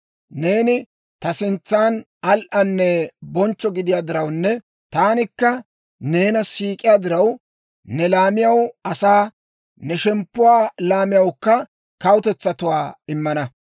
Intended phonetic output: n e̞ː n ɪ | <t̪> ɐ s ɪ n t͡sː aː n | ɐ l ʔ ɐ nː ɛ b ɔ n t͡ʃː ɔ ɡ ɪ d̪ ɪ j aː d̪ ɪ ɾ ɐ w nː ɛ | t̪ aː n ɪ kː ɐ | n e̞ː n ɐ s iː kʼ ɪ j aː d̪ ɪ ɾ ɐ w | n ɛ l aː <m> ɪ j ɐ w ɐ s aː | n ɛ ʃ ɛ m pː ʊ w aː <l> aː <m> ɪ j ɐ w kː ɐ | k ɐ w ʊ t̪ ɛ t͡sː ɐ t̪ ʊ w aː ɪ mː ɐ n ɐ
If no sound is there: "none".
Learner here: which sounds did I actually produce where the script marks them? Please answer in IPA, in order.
t̪, m, l, m

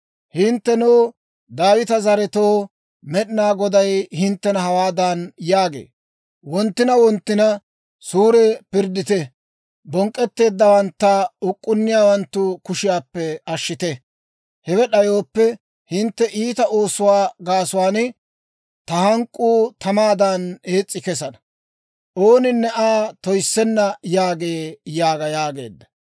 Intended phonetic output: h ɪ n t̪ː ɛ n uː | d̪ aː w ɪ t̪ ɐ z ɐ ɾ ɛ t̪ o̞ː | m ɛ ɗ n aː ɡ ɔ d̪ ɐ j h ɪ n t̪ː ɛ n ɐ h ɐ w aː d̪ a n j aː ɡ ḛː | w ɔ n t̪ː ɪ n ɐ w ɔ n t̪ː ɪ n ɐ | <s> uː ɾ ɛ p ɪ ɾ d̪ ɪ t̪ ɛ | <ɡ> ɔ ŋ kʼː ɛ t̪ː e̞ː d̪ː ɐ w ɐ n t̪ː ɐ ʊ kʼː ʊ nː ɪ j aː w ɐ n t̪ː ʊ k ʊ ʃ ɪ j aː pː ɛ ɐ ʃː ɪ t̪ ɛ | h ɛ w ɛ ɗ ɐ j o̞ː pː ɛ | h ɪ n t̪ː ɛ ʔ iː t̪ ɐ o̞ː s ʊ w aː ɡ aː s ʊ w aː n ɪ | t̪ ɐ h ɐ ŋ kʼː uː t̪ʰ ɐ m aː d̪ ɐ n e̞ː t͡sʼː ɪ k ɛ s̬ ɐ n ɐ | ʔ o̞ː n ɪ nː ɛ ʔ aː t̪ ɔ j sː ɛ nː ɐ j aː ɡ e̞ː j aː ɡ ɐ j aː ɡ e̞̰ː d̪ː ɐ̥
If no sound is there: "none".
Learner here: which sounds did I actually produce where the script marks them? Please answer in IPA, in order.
s, b

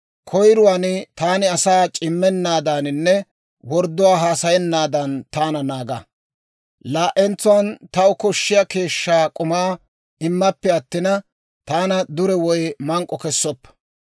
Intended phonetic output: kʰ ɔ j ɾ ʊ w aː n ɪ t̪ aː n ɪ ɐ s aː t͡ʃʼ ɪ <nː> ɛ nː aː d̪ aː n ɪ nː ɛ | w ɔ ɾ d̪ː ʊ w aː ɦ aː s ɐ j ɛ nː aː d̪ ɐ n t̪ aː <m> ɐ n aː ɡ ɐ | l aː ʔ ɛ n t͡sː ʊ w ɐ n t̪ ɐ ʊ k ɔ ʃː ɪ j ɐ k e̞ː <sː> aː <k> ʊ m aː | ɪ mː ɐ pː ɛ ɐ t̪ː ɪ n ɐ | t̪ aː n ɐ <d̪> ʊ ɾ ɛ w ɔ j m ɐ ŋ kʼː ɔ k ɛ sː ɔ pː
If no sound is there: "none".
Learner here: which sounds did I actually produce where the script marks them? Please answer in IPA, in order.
mː, n, ʃː, kʼ, d̪

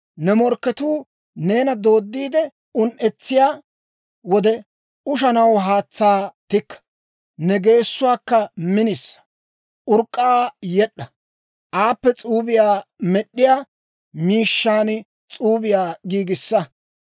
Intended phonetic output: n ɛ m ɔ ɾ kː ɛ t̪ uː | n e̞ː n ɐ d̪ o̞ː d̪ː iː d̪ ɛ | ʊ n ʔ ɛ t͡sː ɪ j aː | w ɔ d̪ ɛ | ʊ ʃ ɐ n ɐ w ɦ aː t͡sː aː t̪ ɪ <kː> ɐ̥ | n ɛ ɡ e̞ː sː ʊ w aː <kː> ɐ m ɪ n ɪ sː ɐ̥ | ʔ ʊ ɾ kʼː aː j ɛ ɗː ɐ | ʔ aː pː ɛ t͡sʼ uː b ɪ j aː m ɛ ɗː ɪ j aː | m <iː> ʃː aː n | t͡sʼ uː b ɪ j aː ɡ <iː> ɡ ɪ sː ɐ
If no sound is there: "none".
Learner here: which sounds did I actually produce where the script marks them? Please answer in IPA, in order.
kː, kː, iː, iː

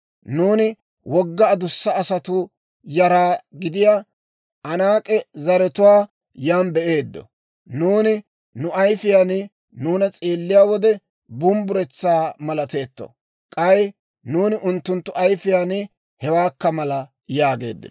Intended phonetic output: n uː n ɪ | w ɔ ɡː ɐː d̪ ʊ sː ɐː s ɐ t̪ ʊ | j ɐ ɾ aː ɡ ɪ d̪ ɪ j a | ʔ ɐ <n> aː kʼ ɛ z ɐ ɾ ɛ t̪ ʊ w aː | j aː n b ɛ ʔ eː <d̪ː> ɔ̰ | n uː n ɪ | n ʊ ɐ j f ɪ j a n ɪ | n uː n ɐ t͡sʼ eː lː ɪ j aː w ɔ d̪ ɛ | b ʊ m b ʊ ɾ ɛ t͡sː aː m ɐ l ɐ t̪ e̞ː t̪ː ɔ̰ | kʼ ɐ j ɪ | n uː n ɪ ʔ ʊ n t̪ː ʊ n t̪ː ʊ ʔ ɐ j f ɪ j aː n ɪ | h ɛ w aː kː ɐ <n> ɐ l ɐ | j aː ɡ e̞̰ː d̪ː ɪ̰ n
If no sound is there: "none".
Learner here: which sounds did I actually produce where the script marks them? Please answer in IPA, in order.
n, d̪ː, m

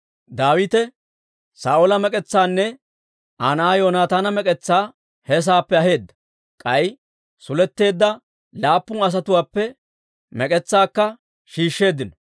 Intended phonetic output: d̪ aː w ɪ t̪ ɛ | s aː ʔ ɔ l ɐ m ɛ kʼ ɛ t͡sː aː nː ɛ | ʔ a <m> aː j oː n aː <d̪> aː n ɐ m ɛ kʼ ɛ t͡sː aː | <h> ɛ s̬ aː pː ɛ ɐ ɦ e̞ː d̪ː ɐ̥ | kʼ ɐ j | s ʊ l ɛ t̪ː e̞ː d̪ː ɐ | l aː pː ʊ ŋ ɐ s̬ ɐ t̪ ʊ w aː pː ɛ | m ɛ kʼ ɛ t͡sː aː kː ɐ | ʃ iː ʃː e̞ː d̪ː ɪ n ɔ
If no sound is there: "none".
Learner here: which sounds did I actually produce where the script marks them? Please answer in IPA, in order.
n, t̪, h

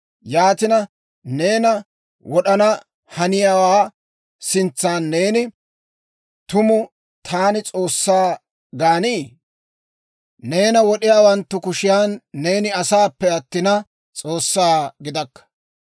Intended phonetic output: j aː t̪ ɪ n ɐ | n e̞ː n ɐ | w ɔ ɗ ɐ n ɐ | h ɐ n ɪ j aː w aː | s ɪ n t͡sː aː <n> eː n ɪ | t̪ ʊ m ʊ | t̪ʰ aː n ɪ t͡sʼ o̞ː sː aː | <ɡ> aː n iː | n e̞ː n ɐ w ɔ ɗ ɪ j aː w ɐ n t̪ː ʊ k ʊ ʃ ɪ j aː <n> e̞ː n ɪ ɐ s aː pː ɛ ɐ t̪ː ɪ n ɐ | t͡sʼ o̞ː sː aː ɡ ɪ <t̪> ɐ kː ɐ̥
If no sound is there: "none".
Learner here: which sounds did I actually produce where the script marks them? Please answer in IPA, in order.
nː, ɡ, nː, d̪

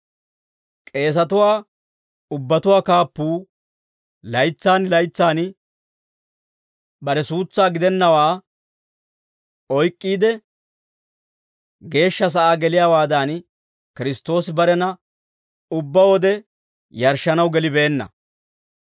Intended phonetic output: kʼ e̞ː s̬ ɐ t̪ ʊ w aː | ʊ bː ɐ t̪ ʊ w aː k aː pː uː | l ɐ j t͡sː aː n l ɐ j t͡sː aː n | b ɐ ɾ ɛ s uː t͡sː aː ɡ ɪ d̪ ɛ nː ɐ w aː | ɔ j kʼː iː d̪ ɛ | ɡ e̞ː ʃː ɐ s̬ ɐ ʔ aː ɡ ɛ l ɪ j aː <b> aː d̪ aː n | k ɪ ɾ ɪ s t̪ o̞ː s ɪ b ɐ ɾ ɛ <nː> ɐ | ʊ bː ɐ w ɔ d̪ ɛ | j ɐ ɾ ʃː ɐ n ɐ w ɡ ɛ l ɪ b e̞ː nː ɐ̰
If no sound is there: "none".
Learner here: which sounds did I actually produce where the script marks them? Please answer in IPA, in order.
w, n

